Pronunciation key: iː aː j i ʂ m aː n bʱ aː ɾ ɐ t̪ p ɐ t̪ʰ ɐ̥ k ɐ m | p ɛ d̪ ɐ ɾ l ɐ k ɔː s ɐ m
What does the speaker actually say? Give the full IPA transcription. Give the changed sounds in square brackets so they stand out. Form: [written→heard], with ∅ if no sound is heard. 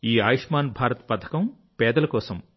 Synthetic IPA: iː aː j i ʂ m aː n bʱ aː ɾ ɐ t̪ p ɐ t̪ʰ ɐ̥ k ɐ m | p [ɛ→ɛː] d̪ ɐ [ɾ→∅] l ɐ k ɔː s ɐ m